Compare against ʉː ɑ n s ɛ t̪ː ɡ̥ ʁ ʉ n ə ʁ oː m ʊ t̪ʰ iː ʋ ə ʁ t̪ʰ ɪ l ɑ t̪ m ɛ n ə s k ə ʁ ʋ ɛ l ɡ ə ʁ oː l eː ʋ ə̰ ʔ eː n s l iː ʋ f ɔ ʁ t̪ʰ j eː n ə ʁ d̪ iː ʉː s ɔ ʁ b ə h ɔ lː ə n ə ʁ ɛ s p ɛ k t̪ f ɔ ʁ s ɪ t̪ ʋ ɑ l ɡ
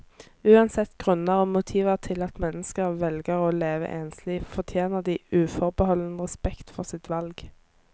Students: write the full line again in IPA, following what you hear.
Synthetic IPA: ʉː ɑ n s ɛ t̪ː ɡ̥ ʁ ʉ n ə ʁ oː m ʊ t̪ʰ iː ʋ ə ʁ t̪ʰ ɪ l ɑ t̪ m ɛ n ə s k ə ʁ ʋ ɛ l ɡ ə ʁ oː l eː ʋ ə̰ ʔ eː n s l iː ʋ f ɔ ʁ t̪ʰ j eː n ə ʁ d̪ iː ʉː f ɔ ʁ b ə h ɔ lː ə n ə ʁ ɛ s p ɛ k t̪ f ɔ ʁ s ɪ t̪ ʋ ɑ l ɡ